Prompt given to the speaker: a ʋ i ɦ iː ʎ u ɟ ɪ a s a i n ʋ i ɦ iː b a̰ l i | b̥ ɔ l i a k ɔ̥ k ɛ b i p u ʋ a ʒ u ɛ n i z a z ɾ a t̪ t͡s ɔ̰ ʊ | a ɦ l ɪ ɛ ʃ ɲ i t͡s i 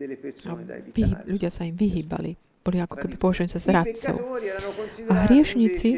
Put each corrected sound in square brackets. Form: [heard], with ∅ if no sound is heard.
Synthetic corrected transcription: a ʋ i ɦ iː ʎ u ɟ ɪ a s a i [m] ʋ i ɦ iː b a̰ l i | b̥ ɔ l i a k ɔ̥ k ɛ b i p [ɔ] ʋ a ʒ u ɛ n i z a z ɾ a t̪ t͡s ɔ̰ ʊ | a ɦ [ɾ] ɪ ɛ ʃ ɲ i t͡s i